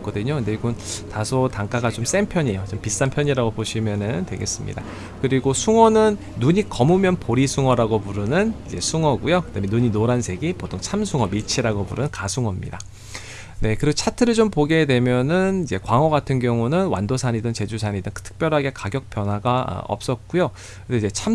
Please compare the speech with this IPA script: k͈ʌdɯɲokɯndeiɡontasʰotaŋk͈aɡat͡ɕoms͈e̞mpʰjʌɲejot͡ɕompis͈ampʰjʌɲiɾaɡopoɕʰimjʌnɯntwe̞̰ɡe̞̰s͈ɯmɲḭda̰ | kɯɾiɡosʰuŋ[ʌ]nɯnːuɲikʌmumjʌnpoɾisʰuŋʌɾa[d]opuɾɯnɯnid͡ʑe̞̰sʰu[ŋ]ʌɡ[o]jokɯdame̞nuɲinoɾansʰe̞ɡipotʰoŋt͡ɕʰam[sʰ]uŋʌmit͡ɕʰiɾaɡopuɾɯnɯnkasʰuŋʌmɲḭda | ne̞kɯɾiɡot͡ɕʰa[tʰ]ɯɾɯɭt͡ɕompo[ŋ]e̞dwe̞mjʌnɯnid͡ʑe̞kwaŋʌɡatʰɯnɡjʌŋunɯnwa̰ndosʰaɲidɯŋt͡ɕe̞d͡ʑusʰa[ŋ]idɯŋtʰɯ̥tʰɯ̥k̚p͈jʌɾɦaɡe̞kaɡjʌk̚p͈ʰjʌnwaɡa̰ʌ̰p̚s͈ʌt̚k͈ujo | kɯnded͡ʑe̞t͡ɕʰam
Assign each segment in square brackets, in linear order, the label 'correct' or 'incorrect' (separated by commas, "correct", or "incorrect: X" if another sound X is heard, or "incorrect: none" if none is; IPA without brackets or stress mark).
correct, incorrect: ɡ, correct, incorrect: u, correct, correct, incorrect: ɡ, incorrect: ɲ